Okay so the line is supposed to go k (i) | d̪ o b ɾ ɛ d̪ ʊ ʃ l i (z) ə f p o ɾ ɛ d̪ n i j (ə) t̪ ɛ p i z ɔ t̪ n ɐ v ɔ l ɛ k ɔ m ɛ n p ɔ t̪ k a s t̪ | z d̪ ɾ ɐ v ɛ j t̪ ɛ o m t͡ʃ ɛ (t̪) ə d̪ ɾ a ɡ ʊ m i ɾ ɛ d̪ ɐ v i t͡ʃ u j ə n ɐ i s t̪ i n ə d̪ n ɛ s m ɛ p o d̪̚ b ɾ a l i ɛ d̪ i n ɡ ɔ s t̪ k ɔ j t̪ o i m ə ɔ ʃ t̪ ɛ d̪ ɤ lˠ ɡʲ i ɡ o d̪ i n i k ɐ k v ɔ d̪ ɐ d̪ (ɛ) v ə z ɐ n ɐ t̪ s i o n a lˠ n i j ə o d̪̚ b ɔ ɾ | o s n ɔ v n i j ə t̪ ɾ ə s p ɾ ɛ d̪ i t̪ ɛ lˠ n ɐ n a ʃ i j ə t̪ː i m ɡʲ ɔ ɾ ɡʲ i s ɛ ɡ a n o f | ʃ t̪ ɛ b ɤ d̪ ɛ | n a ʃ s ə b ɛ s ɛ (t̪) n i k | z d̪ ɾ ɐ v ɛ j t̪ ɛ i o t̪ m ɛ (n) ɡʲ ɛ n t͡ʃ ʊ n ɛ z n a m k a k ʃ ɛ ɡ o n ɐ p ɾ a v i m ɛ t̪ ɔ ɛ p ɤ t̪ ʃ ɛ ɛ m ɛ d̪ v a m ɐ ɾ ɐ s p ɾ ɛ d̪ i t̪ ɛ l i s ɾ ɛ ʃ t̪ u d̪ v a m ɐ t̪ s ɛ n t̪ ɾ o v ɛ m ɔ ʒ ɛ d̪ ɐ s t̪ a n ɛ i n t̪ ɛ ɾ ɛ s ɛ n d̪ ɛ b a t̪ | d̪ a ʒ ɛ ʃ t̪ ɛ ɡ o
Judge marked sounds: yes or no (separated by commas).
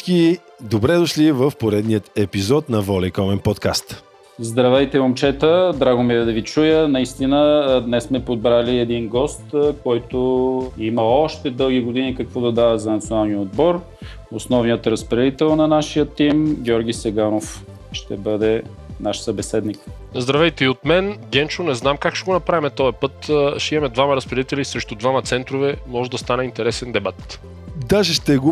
yes, no, yes, yes, no, no, yes